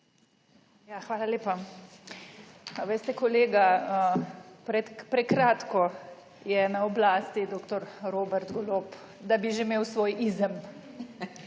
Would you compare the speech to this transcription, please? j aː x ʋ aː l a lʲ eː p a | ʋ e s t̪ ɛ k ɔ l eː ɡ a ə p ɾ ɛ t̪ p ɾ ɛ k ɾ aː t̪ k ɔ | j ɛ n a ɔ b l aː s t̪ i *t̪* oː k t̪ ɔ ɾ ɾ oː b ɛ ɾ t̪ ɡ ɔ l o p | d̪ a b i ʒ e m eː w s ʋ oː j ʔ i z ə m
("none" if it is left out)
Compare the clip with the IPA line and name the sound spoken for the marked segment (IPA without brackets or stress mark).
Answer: d̪